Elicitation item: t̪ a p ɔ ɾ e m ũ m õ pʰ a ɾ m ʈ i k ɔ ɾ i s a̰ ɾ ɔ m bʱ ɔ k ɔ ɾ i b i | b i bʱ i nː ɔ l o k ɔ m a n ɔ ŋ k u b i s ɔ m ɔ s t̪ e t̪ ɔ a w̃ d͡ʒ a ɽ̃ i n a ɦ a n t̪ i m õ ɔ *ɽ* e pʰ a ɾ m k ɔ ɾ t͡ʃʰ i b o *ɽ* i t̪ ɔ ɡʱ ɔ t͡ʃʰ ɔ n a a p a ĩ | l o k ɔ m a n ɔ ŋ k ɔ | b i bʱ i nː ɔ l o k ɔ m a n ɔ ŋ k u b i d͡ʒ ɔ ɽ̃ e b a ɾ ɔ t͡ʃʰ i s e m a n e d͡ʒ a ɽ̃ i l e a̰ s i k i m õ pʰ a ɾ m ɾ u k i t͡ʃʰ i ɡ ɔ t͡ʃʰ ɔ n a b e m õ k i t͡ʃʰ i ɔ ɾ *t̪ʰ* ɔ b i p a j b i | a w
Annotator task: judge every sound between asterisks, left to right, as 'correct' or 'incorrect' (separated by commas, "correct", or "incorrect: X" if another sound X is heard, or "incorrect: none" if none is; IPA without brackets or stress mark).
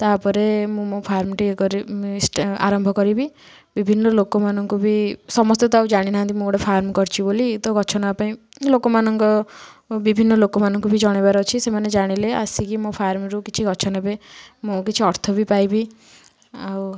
correct, incorrect: l, correct